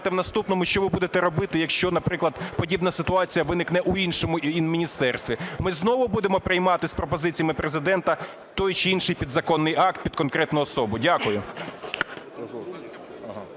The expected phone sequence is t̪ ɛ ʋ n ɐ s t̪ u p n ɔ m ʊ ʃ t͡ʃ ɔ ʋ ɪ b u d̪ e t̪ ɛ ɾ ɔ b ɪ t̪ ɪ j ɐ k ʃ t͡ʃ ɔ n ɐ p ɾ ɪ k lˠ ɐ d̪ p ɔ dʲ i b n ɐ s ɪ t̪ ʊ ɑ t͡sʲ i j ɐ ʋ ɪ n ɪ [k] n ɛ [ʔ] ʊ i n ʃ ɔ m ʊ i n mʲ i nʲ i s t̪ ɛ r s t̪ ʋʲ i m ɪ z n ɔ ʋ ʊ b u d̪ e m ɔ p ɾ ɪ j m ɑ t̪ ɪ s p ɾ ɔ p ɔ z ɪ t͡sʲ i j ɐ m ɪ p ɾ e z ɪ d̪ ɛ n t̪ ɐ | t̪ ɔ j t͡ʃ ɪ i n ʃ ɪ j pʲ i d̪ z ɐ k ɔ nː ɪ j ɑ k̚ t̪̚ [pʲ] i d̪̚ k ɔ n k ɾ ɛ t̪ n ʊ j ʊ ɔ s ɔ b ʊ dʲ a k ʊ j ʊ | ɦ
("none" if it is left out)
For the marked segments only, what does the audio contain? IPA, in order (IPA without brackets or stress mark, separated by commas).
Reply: k, ʔ, pʲ